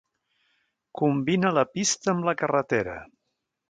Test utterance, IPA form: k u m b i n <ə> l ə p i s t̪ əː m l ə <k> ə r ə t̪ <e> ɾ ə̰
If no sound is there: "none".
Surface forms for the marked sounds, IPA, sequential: ə, k, e

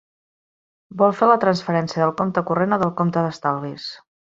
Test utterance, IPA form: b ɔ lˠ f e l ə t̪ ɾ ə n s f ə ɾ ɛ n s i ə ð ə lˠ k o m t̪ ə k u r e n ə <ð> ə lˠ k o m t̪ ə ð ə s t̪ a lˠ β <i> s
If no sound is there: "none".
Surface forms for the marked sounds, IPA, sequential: ð, i

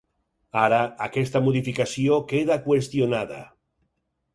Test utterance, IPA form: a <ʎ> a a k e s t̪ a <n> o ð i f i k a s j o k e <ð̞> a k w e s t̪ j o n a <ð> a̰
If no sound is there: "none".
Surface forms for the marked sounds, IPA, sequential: ɾ, m, ð̞, ð

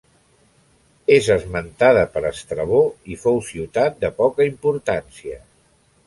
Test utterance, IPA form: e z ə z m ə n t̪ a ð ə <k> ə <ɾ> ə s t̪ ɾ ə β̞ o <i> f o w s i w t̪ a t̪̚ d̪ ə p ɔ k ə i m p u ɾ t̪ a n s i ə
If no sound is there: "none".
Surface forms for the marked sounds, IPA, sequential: p, ɾ, i

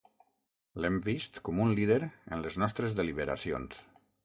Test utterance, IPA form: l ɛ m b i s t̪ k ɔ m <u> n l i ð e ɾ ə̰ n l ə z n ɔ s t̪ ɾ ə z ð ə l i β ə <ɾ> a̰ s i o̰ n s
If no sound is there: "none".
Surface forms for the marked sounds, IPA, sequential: u, ɾ

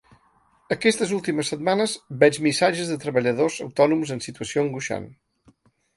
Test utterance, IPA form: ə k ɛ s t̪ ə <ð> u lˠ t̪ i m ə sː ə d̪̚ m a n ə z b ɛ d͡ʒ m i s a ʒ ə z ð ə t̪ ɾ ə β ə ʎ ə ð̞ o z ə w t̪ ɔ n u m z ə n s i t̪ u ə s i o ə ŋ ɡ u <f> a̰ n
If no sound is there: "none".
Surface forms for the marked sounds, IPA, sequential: z, ʃ

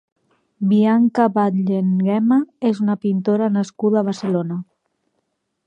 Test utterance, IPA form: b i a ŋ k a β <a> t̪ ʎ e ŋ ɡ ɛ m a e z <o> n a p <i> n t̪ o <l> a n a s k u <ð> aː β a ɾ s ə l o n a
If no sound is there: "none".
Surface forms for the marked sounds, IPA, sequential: a, u, i, ɾ, ð

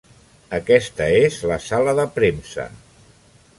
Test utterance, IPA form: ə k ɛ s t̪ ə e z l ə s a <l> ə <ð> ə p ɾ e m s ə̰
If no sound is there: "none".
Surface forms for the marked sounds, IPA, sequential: l, ð

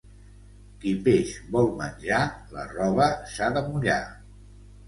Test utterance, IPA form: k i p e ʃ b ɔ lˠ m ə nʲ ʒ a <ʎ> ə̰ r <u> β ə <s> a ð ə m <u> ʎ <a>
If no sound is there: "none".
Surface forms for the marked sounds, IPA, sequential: l, ɔ, s, u, a

